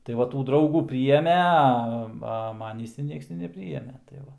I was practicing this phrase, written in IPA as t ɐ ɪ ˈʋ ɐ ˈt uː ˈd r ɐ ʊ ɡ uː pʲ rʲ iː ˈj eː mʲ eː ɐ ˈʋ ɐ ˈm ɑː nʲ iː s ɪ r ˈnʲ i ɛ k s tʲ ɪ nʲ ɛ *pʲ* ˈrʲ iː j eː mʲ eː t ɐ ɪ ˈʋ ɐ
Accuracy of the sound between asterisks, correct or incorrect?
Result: correct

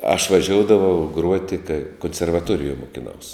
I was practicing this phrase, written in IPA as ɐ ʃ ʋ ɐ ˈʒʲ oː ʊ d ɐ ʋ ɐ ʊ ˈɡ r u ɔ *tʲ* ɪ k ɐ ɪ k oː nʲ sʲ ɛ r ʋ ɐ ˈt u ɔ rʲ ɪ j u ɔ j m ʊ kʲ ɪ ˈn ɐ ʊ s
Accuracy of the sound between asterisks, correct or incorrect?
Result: correct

